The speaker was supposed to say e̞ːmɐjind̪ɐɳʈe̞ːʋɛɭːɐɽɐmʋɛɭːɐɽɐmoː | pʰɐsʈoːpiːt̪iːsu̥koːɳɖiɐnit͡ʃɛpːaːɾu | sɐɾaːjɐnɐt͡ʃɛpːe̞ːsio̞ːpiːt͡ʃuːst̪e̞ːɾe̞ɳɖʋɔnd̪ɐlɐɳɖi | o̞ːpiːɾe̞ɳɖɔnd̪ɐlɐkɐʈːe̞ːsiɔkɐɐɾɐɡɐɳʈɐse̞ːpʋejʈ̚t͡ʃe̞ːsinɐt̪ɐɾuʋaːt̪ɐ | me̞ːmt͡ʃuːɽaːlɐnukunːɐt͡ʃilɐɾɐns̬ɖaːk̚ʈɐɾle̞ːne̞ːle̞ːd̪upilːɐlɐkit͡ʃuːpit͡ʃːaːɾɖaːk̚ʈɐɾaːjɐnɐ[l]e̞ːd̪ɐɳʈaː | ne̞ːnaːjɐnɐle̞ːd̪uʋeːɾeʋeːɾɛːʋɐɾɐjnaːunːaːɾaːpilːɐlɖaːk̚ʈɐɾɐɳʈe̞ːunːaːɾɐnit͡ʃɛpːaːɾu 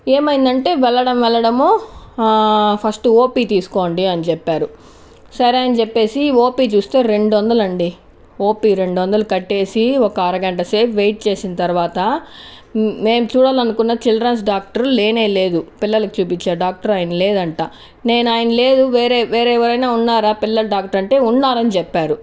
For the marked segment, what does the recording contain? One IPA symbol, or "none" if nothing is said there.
l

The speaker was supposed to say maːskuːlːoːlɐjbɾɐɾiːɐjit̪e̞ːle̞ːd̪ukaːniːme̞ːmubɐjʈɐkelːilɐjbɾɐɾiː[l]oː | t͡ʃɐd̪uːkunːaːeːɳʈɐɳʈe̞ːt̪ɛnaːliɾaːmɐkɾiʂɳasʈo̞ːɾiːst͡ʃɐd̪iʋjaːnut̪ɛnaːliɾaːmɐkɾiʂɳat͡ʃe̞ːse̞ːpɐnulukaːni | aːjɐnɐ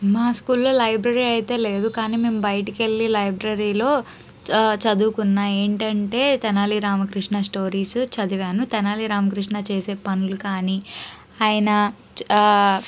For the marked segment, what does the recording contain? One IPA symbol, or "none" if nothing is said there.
l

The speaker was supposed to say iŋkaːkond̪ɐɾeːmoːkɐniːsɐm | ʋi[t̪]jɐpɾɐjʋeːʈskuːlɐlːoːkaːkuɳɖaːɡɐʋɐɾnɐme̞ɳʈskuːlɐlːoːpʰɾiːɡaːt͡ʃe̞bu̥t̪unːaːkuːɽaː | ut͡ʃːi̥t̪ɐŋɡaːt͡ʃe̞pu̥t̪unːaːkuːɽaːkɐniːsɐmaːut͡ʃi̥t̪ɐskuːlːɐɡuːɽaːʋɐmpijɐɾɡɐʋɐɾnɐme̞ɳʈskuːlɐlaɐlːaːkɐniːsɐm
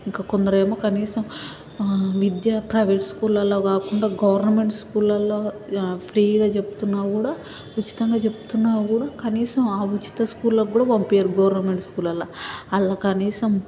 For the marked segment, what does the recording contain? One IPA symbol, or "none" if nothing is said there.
d̪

